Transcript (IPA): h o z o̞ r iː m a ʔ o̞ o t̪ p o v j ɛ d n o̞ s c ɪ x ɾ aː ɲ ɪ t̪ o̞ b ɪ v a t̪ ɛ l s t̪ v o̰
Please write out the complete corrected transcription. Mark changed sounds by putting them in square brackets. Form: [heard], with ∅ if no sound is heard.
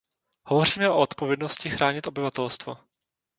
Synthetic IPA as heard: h o [v] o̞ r iː m [ɛ] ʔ o̞ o t̪ p o v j ɛ d n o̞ s c ɪ x ɾ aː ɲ ɪ t̪ o̞ b ɪ v a t̪ ɛ l s t̪ v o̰